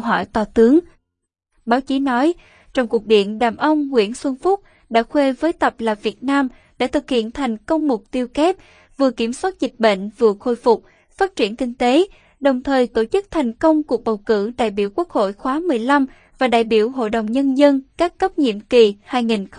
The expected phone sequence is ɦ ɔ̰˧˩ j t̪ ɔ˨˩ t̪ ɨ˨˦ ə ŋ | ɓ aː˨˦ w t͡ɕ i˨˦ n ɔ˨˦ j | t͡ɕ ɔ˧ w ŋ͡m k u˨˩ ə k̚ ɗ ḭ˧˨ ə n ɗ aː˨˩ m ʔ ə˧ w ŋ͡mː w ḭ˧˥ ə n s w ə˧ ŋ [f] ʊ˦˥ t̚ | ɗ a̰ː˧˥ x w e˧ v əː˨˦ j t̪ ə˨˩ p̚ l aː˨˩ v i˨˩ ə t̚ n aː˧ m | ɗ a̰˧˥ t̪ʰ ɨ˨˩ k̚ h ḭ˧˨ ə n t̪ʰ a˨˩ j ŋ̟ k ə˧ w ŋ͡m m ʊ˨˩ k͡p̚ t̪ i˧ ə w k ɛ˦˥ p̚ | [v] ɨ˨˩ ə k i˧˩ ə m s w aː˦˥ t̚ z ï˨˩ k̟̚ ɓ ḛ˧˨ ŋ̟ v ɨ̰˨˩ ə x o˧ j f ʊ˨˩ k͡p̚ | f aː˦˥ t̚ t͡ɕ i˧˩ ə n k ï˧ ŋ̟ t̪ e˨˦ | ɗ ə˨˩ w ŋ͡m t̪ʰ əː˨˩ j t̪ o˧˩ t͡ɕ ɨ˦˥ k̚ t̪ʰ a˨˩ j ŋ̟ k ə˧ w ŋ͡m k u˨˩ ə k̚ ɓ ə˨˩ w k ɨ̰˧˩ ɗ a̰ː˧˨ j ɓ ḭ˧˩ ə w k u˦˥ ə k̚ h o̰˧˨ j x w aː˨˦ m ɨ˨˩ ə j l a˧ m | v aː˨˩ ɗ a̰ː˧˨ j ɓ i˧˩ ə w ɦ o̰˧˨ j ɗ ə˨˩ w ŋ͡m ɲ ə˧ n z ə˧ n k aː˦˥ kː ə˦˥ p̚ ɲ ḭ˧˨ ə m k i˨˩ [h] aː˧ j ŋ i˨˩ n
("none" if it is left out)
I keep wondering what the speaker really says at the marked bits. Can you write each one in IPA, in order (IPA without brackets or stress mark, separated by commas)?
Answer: f, v, h